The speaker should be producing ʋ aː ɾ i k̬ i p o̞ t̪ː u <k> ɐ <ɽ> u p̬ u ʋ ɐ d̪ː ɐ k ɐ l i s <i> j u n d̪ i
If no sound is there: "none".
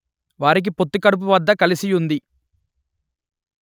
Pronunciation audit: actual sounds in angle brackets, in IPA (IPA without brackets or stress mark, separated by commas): k, ɽ, i